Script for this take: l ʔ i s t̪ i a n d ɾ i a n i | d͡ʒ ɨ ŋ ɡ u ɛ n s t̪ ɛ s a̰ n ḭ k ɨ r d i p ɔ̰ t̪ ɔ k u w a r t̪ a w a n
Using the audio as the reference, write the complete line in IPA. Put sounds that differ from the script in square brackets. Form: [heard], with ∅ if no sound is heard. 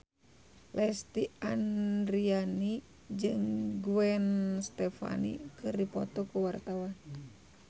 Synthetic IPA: l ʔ [ɛ] s t̪ i a n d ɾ i a n i | d͡ʒ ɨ ŋ ɡ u ɛ n s t̪ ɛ [f] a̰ n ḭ k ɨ r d i p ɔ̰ t̪ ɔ k u w a r t̪ a w a n